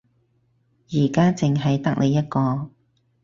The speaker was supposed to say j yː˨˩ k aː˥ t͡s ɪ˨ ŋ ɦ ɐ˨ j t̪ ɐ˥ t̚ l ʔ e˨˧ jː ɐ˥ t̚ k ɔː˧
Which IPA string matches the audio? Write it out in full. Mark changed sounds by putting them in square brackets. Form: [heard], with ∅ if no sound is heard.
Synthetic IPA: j [iː˨˩] k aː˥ t͡s ɪ˨ ŋ ɦ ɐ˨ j t̪ ɐ˥ [k̚] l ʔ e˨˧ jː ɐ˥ t̚ k ɔː˧